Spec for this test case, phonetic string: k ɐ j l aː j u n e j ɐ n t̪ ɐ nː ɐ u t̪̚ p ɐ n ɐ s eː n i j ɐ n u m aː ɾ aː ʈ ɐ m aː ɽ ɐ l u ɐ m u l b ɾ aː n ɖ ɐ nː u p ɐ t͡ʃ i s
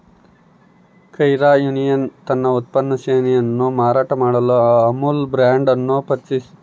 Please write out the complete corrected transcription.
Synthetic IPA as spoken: k ɐ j ɾ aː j u n i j ɐ n t̪ ɐ nː ɐ u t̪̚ p ɐ nː ɐ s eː n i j ɐ nː u m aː ɾ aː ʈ ɐ m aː ɽ ɐ l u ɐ m u l b ɾ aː ɳ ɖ ɐ nː u p ɐ t͡ʃ i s